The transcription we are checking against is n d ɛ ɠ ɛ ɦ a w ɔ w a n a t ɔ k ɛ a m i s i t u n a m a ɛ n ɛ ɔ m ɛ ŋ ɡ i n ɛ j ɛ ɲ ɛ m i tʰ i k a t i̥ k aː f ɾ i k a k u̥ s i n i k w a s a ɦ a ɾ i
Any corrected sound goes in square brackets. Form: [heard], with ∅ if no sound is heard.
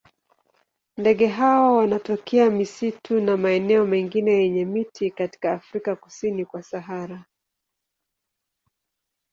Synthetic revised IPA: n d ɛ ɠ ɛ ɦ a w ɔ w a n a t ɔ k ɛ a m i s i t u n a m a ɛ n ɛ ɔ m ɛ ŋ ɡ i n ɛ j ɛ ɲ ɛ m i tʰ i k a t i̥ k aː f ɾ i k a k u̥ s i n i k w a s a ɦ a ɾ [a]

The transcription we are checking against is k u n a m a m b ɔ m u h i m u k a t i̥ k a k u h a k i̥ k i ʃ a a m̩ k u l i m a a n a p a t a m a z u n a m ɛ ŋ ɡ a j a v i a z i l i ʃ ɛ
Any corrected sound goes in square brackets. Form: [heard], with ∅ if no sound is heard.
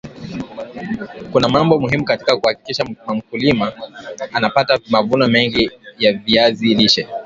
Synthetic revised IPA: k u n a m a m b ɔ m u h i m u k a t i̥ k a k u h a k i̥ k i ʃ a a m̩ k u l i m a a n a p a t a m a [v] u n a m ɛ ŋ ɡ [i] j a v i a z i l i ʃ ɛ

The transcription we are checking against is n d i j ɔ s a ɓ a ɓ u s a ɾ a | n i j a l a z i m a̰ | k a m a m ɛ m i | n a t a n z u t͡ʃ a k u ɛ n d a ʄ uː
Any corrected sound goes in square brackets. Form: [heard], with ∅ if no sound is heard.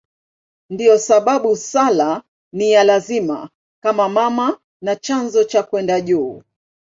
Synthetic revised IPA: n d i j ɔ s a ɓ a ɓ u s a [l] a | n i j a l a z i m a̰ | k a m a m [a] m [a] | n a [t͡ʃ] a n z [ɔ] t͡ʃ a k [w] ɛ n d a ʄ uː

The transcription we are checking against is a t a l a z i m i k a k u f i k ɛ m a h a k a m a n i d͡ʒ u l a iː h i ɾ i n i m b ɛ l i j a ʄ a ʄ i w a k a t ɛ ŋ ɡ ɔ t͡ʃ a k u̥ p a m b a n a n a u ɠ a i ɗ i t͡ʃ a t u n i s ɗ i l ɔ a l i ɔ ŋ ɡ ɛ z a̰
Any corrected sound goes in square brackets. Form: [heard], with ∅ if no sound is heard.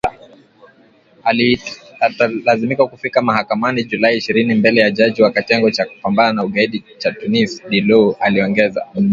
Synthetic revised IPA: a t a l a z i m i k a k u f i k [a] m a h a k a m a n i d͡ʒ u l a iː [ʃ] i ɾ i n i m b ɛ l [ɛ] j a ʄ a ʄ i w a k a t ɛ ŋ ɡ ɔ t͡ʃ a k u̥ p a m b a n a n a u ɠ a i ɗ i t͡ʃ a t u n i s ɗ i l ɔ a l i ɔ ŋ ɡ ɛ z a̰

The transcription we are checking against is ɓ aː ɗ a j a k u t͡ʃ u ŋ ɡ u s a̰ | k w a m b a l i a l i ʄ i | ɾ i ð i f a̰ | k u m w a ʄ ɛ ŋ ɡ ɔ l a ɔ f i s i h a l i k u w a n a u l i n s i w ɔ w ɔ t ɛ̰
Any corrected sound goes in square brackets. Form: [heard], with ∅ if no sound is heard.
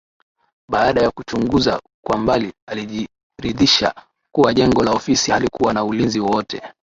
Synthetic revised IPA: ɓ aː ɗ a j a k u t͡ʃ u ŋ ɡ u [z] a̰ | k w a m b a l i a l i ʄ i | ɾ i ð i [ʃ] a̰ | k u [∅] w a ʄ ɛ ŋ ɡ ɔ l a ɔ f i s i h a l i k u w a n a u l i n [z] i w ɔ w ɔ t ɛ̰

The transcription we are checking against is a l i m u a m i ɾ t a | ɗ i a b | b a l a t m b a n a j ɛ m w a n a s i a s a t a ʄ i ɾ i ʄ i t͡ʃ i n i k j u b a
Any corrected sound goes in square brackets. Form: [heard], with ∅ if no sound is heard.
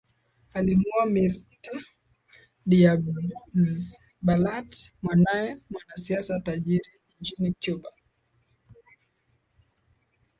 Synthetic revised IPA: a l i m u a m i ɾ t a | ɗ i a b | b a l a t m [w] a n a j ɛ m w a n a s i a s a t a ʄ i ɾ i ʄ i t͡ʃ i n i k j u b a

